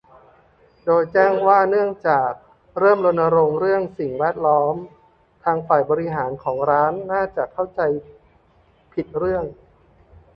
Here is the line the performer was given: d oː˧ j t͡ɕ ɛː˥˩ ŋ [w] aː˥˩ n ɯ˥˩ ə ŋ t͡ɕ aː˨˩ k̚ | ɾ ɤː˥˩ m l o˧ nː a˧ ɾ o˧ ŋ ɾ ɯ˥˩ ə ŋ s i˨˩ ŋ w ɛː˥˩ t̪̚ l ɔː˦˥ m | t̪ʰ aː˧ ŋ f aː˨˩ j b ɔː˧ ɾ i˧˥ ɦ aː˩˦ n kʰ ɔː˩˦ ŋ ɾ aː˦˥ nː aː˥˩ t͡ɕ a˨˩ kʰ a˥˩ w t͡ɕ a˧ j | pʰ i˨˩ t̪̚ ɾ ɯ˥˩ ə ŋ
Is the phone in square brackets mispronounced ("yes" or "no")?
no